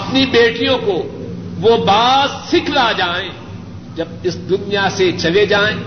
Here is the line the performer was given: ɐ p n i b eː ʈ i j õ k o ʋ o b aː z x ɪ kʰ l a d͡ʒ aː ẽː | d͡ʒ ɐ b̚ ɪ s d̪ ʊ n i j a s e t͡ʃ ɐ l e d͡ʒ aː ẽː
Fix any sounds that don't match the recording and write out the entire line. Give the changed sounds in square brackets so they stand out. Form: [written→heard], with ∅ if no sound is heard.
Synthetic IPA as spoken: ɐ p n i b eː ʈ i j õ k o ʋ o b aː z [x→s] ɪ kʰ l a d͡ʒ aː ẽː | d͡ʒ ɐ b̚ ɪ s d̪ ʊ n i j a s e t͡ʃ ɐ l e d͡ʒ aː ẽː